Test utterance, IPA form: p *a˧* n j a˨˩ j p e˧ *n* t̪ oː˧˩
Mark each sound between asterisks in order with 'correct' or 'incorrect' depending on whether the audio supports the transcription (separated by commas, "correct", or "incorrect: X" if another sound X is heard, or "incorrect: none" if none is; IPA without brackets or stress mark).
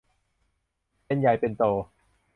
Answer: incorrect: e˧, correct